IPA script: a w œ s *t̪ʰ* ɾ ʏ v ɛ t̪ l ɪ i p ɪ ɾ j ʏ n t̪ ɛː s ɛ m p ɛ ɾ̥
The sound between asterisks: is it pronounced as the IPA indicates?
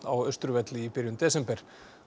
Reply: no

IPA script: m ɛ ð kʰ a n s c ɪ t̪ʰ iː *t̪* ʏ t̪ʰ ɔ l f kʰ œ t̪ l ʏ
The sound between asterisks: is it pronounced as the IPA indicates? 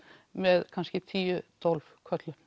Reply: no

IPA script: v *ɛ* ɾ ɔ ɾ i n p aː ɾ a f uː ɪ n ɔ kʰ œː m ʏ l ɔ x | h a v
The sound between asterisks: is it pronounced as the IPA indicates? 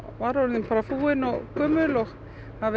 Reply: no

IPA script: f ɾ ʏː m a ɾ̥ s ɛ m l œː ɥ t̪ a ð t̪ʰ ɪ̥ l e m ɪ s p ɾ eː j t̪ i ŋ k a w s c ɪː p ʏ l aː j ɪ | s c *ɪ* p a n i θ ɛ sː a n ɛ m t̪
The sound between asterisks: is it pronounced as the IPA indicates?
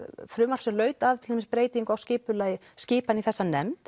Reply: no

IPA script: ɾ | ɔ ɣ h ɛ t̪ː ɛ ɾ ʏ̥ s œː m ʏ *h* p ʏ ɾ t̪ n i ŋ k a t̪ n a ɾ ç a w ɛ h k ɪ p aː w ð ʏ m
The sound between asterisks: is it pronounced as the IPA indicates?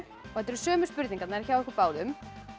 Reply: no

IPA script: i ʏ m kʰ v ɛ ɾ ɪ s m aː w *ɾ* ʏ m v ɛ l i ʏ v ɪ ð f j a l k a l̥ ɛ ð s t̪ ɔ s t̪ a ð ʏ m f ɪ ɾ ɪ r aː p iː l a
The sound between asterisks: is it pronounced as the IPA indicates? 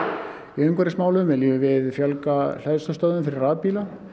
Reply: no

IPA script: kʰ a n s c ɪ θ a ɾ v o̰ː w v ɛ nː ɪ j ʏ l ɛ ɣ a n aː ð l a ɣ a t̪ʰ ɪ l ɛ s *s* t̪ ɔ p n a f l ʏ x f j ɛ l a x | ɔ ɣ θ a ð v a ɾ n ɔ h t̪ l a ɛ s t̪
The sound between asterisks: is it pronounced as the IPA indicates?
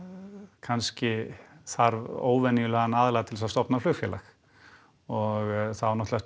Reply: yes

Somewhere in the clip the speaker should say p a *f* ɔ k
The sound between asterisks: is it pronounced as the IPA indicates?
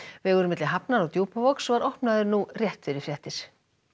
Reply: no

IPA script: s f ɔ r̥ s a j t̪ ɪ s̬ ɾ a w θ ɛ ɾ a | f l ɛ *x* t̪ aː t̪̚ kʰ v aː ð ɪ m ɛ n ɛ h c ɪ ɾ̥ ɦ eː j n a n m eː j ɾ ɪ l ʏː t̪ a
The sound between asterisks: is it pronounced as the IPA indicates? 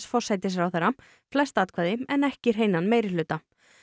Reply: no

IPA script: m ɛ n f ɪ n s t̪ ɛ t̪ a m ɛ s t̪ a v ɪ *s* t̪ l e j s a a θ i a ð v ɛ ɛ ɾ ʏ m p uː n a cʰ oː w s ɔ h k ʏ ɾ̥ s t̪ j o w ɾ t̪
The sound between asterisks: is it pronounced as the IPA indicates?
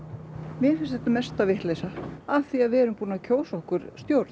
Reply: no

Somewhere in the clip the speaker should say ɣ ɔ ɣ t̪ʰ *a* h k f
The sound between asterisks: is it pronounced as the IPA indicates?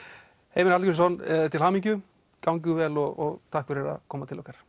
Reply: yes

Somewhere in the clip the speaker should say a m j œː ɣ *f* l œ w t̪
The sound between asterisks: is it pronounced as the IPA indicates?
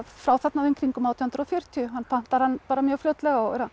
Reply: yes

